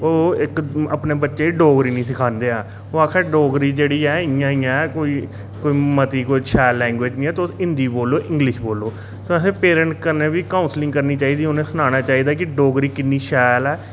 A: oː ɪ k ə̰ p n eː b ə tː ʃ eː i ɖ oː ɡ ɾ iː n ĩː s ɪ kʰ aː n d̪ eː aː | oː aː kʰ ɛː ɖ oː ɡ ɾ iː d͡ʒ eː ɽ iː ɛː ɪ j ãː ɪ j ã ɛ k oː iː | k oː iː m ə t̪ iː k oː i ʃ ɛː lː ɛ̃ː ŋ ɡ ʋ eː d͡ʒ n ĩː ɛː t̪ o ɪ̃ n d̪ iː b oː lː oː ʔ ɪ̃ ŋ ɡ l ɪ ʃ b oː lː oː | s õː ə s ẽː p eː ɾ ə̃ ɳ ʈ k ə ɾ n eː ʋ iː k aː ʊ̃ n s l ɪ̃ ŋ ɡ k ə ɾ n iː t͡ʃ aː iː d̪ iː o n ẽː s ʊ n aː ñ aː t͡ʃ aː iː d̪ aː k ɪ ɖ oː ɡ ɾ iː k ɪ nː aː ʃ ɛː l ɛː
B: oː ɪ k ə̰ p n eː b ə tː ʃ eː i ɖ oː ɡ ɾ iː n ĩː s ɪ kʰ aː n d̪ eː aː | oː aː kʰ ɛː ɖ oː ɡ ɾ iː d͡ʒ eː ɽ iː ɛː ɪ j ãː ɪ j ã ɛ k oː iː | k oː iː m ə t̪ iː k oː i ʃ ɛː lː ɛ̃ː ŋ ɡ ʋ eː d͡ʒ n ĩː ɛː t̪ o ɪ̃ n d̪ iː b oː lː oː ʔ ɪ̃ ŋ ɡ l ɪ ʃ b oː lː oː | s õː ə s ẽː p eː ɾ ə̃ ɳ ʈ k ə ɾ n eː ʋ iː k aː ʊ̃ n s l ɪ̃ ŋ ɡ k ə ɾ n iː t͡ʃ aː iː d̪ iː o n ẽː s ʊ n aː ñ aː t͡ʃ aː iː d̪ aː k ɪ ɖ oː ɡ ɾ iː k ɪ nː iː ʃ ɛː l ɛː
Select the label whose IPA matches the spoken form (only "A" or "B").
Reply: B